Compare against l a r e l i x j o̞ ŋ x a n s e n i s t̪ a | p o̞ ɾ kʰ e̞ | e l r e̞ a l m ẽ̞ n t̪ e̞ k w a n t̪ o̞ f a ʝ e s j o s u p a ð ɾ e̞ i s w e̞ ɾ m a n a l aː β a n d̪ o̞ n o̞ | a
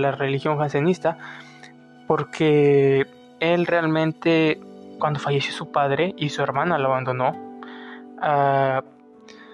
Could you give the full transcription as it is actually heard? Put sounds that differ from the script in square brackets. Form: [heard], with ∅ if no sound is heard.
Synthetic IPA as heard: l a r e l i x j o̞ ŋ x a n s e n i s t̪ a | p o̞ ɾ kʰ e̞ | e l r e̞ a l m ẽ̞ n t̪ e̞ k w a n [d̪] o̞ f a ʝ e s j o s u p a ð ɾ e̞ i s [u] e̞ ɾ m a n a l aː β a n d̪ o̞ n o̞ | a